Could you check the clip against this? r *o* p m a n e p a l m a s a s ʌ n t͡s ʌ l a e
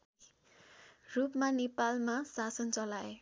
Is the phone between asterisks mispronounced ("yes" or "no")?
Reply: yes